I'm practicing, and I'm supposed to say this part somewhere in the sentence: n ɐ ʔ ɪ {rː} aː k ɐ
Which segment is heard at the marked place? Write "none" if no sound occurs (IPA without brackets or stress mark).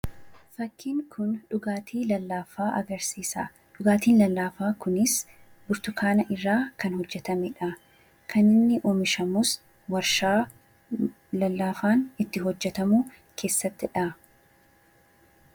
rː